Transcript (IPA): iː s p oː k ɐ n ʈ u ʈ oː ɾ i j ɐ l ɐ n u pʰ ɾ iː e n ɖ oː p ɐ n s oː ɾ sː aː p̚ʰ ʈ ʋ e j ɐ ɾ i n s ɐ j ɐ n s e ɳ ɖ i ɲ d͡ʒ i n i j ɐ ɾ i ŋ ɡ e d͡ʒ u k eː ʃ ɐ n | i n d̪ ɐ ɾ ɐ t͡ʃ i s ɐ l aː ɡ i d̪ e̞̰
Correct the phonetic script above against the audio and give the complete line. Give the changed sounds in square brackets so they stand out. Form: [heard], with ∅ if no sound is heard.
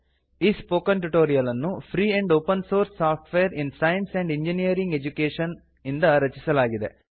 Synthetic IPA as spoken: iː s p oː k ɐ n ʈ u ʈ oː ɾ i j ɐ l ɐ [nː] u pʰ ɾ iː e [ɳ] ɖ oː p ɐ n s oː ɾ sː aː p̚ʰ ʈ ʋ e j ɐ ɾ i n s ɐ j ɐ n s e ɳ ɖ i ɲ d͡ʒ i n i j ɐ ɾ i ŋ ɡ e d͡ʒ u k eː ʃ ɐ n | i n d̪ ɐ ɾ ɐ t͡ʃ i s ɐ l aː ɡ i d̪ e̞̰